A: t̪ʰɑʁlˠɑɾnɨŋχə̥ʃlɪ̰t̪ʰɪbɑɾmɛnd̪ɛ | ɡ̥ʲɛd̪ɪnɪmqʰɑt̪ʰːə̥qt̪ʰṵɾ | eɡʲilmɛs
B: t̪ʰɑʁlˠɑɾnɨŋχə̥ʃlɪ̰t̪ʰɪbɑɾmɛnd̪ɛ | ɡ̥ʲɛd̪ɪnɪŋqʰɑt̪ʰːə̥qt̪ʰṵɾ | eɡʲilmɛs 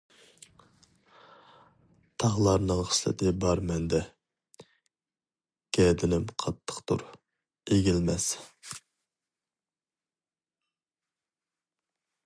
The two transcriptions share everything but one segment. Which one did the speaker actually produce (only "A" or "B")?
A